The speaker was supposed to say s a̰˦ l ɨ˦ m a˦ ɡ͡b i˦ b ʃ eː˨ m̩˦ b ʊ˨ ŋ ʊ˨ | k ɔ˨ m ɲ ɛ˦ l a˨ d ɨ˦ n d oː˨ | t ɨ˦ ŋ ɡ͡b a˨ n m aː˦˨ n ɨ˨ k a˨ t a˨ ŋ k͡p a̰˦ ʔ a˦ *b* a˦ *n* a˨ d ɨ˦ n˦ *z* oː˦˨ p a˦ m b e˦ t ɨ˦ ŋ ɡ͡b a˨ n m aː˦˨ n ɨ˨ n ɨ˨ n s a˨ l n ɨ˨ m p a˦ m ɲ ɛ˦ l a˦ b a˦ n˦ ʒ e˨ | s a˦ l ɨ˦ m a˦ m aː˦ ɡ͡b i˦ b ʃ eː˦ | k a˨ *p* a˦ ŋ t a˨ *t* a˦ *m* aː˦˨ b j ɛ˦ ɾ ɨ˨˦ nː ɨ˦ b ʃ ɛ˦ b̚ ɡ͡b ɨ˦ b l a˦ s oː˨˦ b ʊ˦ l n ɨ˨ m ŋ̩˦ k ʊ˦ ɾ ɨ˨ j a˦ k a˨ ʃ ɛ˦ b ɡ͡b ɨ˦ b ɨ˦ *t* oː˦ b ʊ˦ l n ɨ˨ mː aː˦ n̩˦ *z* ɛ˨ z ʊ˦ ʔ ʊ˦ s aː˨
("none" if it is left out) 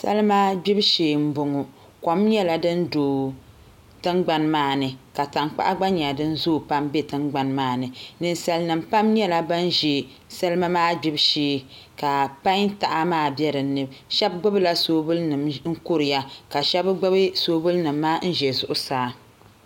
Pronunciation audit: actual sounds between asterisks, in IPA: ɡ͡b, ɲ, z, p, ʔ, m, s, ʒ

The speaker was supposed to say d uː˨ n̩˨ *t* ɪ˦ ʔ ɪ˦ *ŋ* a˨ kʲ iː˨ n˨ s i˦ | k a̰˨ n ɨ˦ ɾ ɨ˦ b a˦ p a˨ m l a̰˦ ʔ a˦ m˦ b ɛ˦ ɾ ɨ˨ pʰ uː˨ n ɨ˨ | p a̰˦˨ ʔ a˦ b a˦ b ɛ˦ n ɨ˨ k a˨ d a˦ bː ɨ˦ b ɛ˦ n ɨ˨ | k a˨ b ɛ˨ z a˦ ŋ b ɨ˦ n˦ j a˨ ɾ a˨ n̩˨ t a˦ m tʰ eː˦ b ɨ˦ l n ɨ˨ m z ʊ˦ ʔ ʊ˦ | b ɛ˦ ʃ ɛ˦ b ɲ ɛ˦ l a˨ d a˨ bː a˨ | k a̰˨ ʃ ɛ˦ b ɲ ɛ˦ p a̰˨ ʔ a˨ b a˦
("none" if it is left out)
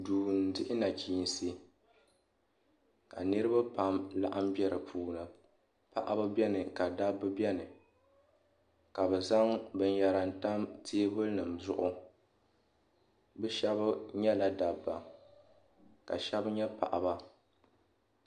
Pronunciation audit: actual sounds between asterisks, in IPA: d, n

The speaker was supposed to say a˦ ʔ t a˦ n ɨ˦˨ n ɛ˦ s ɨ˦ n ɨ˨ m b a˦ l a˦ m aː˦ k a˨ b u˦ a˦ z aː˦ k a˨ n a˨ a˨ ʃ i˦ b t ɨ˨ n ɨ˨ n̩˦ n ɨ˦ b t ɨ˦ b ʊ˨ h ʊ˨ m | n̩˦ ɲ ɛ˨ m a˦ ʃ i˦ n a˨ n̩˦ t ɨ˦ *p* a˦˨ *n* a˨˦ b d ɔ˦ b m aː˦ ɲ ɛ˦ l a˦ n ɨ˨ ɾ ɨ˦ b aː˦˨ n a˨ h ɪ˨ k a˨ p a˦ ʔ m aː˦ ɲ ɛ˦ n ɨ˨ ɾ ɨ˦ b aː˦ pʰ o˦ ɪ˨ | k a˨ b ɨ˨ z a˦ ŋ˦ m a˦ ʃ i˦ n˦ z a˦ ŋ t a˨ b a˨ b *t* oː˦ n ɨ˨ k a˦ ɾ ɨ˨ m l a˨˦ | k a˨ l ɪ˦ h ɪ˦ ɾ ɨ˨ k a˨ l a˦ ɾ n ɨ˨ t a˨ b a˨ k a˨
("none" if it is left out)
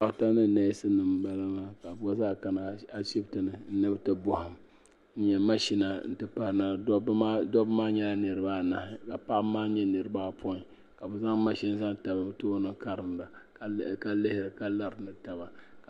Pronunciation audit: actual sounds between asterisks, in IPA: p, n, t

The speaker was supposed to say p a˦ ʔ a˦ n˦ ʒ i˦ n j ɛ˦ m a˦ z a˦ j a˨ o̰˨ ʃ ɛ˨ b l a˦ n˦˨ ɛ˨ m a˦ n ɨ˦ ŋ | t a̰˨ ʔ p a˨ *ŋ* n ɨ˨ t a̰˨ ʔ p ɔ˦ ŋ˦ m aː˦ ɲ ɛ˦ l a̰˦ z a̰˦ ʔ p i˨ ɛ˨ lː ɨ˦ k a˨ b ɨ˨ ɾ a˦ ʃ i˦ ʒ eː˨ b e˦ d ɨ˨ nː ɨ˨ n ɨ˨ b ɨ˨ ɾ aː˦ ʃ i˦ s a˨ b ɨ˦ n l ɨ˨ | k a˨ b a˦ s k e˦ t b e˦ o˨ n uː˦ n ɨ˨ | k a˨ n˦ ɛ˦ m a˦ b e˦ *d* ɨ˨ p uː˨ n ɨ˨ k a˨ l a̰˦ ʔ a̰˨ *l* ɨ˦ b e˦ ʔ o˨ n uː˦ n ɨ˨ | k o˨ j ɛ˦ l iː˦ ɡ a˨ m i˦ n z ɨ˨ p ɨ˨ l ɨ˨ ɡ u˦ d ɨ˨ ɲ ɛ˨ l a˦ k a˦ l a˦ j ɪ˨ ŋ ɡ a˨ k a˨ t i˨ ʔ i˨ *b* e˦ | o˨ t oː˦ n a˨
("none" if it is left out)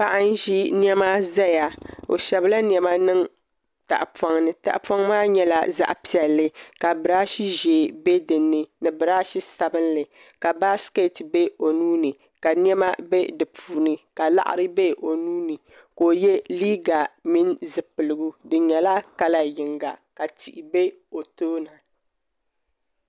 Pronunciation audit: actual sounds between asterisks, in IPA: ŋ, d, ɾ, b

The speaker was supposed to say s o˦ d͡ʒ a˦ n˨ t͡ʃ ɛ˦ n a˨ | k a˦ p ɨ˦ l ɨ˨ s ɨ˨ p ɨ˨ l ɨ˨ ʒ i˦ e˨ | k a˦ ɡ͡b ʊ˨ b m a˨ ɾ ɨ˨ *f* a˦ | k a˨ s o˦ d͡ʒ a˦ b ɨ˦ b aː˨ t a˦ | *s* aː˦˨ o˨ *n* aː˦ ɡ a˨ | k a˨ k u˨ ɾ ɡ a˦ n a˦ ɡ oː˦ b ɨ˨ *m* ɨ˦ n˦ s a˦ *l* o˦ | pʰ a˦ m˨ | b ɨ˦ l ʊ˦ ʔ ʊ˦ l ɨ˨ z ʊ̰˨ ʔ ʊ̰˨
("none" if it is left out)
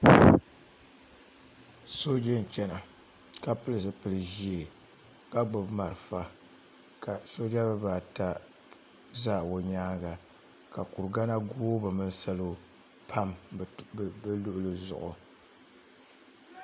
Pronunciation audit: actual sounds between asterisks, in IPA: f, z, ɲ, m, l

